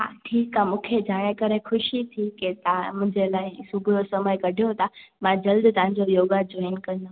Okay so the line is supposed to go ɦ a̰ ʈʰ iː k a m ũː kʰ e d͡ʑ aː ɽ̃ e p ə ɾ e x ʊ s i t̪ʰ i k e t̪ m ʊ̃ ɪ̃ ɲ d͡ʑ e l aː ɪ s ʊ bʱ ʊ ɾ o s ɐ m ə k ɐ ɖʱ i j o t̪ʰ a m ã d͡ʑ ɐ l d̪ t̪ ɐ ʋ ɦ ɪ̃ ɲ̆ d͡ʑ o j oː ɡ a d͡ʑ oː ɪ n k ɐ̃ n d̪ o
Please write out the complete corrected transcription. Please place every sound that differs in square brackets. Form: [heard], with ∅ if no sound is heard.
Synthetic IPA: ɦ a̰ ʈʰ iː k a m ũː kʰ e d͡ʑ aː ɽ̃ e [k] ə ɾ e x ʊ [ʃ] i t̪ʰ i k e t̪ m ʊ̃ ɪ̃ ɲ d͡ʑ e l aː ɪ s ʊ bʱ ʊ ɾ o s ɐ m ə k ɐ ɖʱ i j o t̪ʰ a m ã d͡ʑ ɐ l d̪ t̪ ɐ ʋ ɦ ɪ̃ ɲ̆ d͡ʑ o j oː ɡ a d͡ʑ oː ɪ n k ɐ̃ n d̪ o

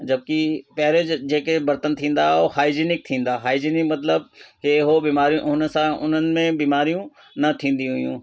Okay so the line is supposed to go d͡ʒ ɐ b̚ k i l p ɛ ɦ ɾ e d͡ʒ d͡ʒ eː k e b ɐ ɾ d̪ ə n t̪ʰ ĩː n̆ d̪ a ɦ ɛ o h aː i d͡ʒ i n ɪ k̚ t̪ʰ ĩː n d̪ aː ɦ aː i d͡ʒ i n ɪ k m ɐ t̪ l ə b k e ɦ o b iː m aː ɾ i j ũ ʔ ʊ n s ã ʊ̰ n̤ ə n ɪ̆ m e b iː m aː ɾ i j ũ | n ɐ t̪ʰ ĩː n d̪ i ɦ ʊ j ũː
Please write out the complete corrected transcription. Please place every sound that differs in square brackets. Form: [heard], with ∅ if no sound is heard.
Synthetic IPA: d͡ʒ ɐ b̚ k i [∅] p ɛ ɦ ɾ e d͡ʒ d͡ʒ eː k e b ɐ ɾ [t̪] ə n t̪ʰ ĩː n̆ d̪ a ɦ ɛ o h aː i d͡ʒ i n ɪ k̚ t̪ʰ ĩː n d̪ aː ɦ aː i d͡ʒ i n ɪ k m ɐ t̪ l ə b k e ɦ o b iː m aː ɾ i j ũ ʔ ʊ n s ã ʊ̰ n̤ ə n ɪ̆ m [ẽ] b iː m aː ɾ i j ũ | n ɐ t̪ʰ ĩː n d̪ i ɦ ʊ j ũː

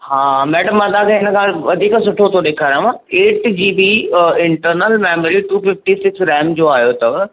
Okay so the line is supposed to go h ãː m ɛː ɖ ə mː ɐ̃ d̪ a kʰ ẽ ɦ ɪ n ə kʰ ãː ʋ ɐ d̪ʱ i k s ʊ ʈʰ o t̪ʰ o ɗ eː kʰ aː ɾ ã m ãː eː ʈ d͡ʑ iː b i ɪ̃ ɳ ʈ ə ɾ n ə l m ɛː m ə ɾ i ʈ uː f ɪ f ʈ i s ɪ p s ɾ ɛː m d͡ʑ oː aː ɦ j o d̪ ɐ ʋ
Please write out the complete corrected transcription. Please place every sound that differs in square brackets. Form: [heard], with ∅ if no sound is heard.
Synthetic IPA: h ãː m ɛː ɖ ə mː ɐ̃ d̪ a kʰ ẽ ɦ ɪ n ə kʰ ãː ʋ ɐ d̪ʱ [iː] k s ʊ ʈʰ o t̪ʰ o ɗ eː kʰ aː ɾ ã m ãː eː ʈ d͡ʑ iː b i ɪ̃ ɳ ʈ ə ɾ n ə l m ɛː m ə ɾ i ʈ uː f ɪ f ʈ i s ɪ [k] s ɾ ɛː m d͡ʑ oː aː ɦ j o [t̪] ɐ ʋ

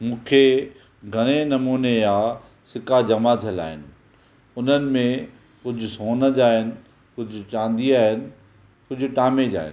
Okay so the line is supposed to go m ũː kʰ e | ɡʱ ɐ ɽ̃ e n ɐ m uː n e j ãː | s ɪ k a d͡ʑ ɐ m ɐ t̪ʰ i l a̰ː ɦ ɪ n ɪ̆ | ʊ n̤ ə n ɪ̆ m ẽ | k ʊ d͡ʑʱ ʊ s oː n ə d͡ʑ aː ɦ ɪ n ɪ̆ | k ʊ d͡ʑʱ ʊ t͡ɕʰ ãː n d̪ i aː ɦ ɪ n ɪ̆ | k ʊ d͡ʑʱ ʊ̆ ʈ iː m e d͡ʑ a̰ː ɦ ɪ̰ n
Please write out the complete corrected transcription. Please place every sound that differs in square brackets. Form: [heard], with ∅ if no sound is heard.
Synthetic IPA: m ũː kʰ e | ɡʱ ɐ ɽ̃ e n ɐ m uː n e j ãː | s ɪ k a d͡ʑ ɐ m [a] t̪ʰ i l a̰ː ɦ ɪ n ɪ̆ | ʊ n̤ ə n ɪ̆ m ẽ | k ʊ d͡ʑʱ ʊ s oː n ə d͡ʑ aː ɦ ɪ n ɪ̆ | k ʊ d͡ʑʱ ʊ [t͡ɕ] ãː n d̪ i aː ɦ ɪ n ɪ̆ | k ʊ d͡ʑʱ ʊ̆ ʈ [aː] m e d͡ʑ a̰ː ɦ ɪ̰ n

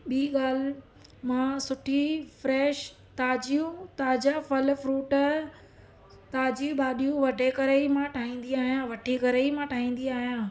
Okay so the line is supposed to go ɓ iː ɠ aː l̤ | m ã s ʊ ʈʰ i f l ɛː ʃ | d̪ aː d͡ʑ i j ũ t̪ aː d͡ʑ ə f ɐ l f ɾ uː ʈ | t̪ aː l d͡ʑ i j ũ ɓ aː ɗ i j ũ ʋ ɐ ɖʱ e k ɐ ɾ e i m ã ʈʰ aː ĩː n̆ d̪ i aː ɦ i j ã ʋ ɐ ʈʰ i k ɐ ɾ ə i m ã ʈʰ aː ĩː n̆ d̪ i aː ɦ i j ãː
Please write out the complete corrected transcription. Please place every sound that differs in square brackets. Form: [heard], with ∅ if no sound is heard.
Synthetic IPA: ɓ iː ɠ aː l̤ | m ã s ʊ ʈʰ i f [ɾ] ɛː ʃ | [t̪] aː d͡ʑ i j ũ t̪ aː d͡ʑ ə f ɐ l f ɾ uː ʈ | t̪ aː [∅] d͡ʑ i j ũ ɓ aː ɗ i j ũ ʋ ɐ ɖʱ e k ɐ ɾ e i m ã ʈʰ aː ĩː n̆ d̪ i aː ɦ i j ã ʋ ɐ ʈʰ i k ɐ ɾ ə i m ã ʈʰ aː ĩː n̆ d̪ i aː ɦ i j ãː

